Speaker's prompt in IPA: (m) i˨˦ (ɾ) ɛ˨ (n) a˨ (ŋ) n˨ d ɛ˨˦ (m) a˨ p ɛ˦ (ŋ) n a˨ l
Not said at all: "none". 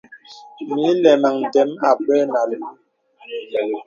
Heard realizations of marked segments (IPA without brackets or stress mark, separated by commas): m, l, m, ŋ, m, none